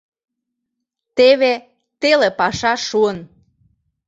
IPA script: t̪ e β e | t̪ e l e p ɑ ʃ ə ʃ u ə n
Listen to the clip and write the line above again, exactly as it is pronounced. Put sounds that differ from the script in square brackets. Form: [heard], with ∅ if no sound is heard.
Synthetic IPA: t̪ e β e | t̪ e l e p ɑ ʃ [ɑ] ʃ u ə n

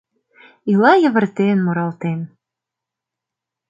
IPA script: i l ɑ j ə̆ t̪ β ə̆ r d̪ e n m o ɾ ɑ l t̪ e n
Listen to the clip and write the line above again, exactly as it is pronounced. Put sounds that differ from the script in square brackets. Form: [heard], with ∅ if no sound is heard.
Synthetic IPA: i l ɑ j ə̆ [∅] β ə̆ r [t̪] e n m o ɾ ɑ l t̪ e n

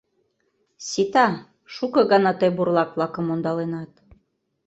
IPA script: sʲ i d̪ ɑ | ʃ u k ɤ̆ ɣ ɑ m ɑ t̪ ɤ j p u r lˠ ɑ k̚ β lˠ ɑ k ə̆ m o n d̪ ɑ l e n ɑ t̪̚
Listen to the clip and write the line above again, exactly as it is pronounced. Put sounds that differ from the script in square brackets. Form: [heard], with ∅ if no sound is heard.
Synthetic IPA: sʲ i [t̪] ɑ | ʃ u k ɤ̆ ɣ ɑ [n] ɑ t̪ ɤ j [b] u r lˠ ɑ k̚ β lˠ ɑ k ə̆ m o n d̪ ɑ l e n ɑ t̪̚

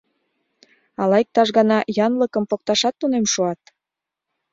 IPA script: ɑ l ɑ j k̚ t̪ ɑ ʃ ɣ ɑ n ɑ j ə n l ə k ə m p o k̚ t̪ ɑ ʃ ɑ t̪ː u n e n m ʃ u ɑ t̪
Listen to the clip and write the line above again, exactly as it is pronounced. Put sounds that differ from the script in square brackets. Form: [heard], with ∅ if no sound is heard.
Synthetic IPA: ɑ l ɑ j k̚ t̪ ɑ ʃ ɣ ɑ n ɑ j [ɑ] n l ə k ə m p o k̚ t̪ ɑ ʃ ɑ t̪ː u n e [∅] m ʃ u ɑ t̪

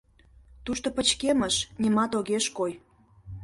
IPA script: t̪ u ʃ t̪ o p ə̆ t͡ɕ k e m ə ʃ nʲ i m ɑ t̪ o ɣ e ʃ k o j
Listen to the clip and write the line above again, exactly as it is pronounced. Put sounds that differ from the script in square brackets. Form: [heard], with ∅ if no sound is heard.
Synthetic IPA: t̪ u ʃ t̪ o p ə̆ t͡ɕ k e m ə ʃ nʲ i m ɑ t̪ o ɣ e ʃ k o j

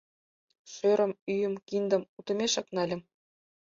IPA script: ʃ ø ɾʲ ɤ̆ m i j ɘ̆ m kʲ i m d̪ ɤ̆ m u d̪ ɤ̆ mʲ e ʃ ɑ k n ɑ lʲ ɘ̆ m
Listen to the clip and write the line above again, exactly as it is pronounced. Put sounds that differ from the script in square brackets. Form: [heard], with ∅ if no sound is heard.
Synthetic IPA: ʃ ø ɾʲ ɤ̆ m [y] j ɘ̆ m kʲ i [n] d̪ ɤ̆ m u [t̪] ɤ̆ mʲ e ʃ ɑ k n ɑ lʲ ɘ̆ m

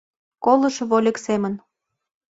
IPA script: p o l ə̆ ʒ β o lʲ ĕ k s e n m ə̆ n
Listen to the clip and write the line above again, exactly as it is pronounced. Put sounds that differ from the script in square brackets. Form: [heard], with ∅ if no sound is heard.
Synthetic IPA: [k] o l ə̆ [ʃ] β o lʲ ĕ k s e [∅] m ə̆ n

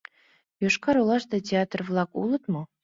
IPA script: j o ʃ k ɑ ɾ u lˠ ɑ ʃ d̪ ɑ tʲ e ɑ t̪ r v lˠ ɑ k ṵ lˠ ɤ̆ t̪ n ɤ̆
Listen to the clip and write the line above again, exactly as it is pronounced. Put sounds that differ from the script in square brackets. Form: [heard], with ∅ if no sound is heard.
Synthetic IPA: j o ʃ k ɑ ɾ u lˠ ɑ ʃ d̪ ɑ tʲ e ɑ t̪ r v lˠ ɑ k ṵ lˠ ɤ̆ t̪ [m] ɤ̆

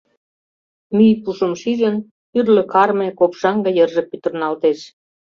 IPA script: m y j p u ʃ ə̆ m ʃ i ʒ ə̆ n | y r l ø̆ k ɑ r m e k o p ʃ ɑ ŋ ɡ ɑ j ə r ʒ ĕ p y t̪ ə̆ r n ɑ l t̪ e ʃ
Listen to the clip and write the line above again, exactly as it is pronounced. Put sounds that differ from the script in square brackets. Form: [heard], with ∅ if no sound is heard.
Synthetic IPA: m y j p u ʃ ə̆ m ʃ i ʒ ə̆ n | y r l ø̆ k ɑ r m e k o p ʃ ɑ ŋ ɡ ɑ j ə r ʒ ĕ p y t̪ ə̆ r n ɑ l t̪ e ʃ

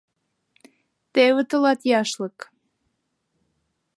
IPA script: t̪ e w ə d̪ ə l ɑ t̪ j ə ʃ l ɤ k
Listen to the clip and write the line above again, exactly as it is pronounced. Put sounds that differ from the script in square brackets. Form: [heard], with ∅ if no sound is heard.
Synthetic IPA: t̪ e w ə [t̪] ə l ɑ t̪ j [ɑ] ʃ l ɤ k

